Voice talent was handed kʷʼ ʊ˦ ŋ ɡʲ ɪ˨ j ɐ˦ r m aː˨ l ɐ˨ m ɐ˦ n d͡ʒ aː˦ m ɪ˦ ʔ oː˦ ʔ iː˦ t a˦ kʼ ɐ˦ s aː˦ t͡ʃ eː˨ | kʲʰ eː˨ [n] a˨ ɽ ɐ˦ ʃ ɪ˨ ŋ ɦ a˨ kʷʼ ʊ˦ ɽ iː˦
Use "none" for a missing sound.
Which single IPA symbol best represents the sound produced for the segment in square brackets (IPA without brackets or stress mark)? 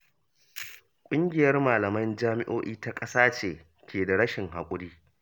d